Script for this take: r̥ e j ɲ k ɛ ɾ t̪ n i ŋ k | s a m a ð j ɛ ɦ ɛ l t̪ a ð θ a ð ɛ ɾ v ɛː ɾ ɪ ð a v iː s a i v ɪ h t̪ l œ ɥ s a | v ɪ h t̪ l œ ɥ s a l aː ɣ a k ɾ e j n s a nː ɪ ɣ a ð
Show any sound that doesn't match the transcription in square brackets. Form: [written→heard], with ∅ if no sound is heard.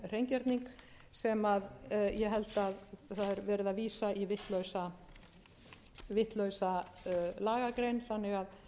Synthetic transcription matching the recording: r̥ e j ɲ [k→c] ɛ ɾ t̪ n i ŋ k | s [a→ɛ] m a ð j ɛ ɦ ɛ l t̪ a ð θ a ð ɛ ɾ v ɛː ɾ ɪ ð a v iː s a i v ɪ h t̪ l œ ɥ s a | v ɪ h t̪ l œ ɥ s a l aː ɣ a k ɾ e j n [s→θ] a nː ɪ ɣ a ð